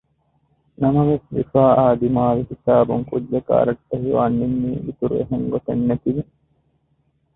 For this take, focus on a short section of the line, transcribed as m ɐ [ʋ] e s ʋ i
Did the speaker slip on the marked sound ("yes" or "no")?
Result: no